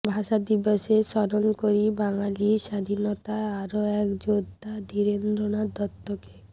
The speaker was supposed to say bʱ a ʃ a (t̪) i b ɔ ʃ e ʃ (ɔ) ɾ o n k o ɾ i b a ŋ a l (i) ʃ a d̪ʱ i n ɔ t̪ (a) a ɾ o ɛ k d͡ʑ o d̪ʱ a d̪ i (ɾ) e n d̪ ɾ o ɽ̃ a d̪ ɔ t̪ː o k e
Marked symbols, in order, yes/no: no, yes, yes, yes, yes

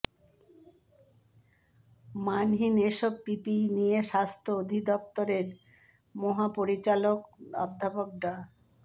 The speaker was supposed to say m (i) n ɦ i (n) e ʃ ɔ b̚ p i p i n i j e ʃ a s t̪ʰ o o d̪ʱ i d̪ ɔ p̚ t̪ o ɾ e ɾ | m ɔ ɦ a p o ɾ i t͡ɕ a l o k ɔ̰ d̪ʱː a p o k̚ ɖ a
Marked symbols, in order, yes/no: no, yes

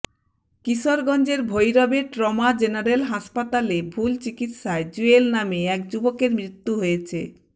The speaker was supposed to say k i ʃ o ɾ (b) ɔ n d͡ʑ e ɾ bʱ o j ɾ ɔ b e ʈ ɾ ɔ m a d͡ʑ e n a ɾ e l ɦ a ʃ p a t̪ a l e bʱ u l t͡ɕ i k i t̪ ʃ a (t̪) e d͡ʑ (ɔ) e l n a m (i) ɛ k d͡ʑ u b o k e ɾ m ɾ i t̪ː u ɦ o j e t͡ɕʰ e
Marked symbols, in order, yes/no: no, no, no, no

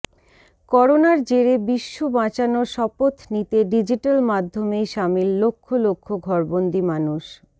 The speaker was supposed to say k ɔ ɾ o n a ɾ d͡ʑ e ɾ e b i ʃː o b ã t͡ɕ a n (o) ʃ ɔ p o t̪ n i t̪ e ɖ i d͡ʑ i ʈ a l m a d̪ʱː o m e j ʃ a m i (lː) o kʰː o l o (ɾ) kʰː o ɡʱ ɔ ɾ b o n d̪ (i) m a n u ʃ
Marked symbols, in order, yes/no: yes, yes, no, yes

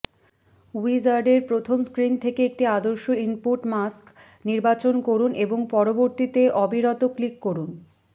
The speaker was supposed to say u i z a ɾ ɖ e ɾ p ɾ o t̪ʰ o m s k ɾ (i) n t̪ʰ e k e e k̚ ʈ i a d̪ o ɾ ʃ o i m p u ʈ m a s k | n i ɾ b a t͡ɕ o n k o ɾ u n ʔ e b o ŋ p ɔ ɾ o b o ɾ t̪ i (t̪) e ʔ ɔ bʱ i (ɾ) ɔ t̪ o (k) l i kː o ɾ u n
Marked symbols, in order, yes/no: yes, yes, yes, yes

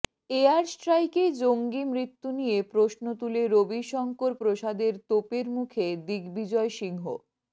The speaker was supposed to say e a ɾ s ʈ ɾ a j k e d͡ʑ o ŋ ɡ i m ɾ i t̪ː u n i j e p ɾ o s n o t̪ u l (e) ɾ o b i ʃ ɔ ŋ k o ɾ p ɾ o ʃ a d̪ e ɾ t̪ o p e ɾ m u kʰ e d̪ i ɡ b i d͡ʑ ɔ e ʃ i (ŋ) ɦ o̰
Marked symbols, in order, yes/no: yes, yes

